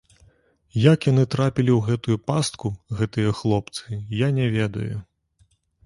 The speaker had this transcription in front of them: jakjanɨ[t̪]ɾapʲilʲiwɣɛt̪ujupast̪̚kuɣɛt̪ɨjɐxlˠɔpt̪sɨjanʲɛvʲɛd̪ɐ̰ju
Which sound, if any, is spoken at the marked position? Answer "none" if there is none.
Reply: t̪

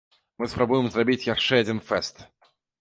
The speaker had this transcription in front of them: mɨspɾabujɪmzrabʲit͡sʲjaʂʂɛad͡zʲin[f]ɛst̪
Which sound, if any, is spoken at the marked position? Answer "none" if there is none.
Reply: f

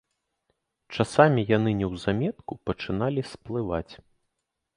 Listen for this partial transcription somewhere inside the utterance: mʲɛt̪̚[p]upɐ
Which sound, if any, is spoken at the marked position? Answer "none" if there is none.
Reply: k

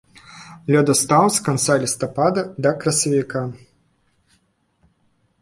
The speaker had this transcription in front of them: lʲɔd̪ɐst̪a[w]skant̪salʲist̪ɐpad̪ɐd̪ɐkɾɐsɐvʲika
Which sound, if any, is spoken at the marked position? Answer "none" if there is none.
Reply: w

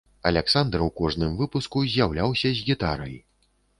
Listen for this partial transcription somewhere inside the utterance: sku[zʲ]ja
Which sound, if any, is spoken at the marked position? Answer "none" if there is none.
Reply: zʲ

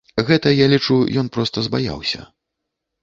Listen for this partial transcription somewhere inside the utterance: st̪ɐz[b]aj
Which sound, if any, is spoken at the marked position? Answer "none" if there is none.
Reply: b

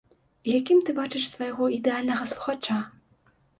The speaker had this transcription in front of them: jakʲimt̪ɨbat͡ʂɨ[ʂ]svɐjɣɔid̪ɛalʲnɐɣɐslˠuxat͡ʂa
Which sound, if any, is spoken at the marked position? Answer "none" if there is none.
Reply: ʂ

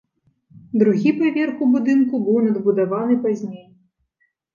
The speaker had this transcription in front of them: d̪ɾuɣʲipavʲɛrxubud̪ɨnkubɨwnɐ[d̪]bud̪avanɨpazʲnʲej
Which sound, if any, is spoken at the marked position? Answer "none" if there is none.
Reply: d̪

